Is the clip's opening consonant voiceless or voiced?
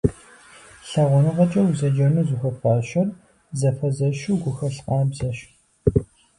voiceless